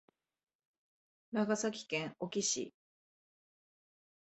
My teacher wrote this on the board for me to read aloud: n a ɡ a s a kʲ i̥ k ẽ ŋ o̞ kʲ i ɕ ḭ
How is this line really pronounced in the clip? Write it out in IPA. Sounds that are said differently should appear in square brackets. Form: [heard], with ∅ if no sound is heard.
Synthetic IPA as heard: n a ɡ a s a kʲ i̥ k ẽ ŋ o̞ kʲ i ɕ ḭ